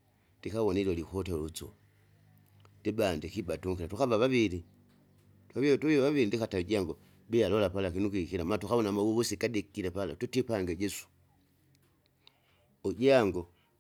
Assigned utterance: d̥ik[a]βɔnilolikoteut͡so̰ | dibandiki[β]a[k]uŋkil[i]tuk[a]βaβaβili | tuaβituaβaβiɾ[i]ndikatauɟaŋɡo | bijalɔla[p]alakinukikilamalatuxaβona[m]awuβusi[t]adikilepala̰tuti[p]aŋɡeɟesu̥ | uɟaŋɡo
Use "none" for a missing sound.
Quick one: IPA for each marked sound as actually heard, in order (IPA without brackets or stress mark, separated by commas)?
a, b, t, a, a, i, p, m, k, p